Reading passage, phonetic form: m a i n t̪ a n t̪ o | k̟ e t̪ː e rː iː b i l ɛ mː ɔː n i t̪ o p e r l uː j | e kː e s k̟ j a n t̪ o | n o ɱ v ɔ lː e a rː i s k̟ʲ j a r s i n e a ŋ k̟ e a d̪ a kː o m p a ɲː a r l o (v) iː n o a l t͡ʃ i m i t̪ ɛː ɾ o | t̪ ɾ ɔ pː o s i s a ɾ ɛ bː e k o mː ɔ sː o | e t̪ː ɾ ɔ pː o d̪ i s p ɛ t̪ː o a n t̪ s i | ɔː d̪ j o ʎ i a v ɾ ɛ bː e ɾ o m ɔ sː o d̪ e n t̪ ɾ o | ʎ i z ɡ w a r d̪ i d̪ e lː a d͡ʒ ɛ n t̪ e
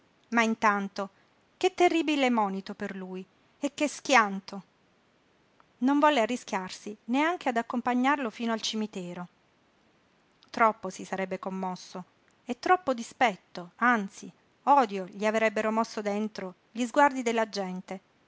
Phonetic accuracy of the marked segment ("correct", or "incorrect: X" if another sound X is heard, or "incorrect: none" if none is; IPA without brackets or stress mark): incorrect: f